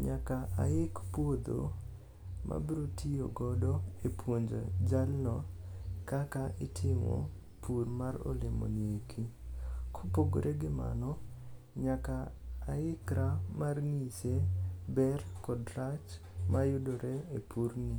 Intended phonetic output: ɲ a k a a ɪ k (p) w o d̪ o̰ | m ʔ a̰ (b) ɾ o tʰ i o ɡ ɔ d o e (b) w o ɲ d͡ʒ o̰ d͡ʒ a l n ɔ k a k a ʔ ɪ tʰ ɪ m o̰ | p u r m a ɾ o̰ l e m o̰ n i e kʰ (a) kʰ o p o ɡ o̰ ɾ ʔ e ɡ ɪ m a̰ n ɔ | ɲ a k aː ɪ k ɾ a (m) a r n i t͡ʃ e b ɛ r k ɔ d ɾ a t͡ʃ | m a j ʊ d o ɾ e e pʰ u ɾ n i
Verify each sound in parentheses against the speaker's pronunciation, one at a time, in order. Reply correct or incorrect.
correct, correct, incorrect, incorrect, correct

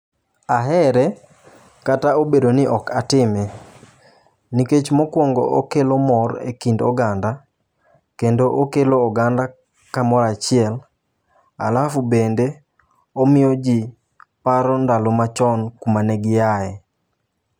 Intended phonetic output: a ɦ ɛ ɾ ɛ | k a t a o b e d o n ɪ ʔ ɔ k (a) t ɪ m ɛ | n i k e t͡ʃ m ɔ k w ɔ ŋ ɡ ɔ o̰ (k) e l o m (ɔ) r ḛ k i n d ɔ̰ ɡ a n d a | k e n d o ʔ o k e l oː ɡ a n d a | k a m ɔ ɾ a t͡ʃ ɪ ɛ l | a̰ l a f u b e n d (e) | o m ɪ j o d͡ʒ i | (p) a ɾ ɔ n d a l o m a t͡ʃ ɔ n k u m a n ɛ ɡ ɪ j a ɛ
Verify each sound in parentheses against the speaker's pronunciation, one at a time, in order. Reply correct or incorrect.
correct, correct, correct, correct, correct

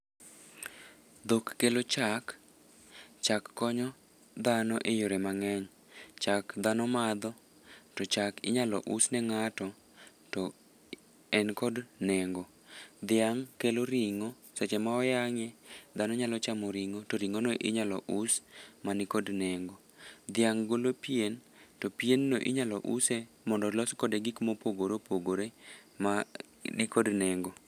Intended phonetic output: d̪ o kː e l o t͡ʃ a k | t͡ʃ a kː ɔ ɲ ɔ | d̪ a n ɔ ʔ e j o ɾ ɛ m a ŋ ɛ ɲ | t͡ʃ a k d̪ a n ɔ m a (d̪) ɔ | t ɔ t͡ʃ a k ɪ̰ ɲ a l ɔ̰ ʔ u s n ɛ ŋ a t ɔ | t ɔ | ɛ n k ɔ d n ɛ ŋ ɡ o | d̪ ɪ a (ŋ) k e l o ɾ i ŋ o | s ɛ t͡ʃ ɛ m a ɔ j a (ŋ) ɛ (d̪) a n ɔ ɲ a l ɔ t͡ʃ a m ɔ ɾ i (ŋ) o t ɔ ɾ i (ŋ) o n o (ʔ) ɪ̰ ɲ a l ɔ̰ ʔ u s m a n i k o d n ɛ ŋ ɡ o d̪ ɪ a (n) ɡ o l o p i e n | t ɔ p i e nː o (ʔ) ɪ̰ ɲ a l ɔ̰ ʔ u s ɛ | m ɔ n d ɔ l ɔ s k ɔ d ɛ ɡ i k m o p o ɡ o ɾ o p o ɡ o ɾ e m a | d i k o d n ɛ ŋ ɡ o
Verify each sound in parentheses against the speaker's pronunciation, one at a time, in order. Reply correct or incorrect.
correct, correct, correct, correct, correct, correct, correct, incorrect, correct

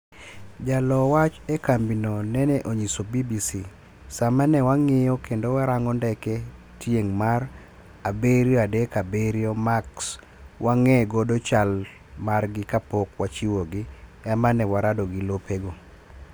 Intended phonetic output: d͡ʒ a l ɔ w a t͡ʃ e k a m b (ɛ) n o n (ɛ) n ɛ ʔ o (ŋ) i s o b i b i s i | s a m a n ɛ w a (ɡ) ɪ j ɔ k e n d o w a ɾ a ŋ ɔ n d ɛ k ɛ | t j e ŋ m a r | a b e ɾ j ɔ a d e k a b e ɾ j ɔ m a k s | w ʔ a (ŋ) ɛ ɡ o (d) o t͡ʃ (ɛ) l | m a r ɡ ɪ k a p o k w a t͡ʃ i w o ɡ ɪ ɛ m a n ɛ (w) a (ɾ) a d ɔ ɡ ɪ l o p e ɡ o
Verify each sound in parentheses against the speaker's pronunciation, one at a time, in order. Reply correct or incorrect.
incorrect, correct, incorrect, incorrect, correct, correct, incorrect, correct, correct

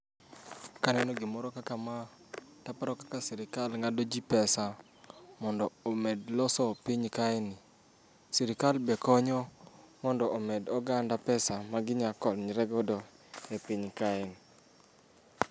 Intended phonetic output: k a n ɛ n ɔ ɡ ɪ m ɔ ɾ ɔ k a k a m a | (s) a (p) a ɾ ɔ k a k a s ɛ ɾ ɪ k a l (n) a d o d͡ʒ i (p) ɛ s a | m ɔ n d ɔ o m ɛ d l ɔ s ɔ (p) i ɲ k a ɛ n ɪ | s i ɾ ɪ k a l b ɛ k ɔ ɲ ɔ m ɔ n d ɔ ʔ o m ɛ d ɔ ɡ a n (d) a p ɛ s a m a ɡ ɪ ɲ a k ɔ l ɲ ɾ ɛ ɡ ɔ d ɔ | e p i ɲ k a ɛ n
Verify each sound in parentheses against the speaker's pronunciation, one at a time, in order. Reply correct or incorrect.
incorrect, correct, incorrect, correct, correct, correct

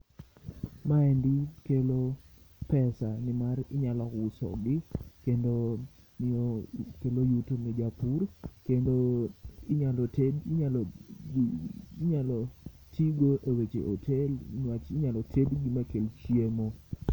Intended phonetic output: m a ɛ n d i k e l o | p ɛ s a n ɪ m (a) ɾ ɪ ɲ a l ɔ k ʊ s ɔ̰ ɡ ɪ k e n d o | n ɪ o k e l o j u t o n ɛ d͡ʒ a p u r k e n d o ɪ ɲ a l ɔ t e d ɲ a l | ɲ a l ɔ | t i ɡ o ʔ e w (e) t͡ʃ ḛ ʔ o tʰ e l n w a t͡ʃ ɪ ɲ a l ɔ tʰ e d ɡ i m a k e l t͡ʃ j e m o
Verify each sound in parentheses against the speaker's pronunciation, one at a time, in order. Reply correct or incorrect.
correct, correct

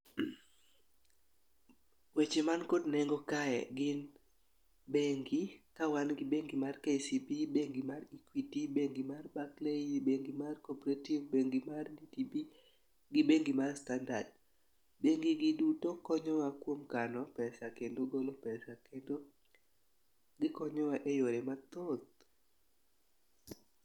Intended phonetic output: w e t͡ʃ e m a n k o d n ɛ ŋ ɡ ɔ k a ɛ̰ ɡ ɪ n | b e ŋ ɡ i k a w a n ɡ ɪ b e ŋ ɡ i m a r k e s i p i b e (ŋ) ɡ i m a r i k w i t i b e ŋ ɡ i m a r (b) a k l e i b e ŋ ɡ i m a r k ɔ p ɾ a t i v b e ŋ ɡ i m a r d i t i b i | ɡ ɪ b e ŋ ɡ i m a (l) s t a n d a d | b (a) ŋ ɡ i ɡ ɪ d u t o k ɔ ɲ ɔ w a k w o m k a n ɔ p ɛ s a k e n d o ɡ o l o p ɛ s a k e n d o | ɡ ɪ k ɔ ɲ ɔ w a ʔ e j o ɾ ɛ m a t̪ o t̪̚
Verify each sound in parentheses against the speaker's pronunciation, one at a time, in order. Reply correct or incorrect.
correct, correct, incorrect, incorrect

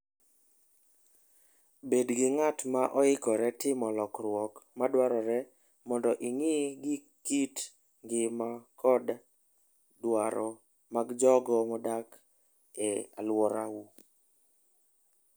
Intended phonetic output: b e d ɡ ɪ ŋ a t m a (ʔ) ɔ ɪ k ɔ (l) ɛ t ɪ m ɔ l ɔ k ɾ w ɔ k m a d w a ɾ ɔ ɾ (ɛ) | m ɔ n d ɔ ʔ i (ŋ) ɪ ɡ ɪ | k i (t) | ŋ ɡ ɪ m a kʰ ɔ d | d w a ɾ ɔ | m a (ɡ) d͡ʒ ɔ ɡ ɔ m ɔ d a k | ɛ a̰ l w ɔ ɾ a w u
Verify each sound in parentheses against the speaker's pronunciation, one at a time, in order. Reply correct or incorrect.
correct, incorrect, correct, correct, correct, correct

